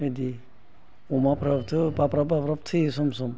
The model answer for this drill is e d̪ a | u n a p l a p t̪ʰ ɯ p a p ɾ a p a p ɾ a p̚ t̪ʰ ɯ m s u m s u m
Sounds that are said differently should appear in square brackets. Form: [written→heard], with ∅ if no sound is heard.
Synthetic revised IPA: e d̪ [a→i] | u [n→m] a p [l→ɾ] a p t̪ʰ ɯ p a p ɾ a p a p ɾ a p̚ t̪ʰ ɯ [m→∅] s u m s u m